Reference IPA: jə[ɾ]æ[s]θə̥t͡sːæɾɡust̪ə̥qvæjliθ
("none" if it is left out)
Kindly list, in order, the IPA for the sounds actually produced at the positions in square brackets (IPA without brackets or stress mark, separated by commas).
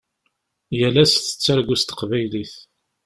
l, s